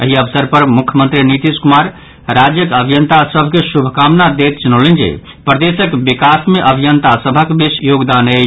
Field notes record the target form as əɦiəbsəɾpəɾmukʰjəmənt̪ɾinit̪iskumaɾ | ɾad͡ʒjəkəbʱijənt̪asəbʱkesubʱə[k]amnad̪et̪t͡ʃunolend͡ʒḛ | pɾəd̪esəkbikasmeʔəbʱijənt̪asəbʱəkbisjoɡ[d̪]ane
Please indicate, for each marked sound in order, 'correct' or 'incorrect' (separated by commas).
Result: correct, correct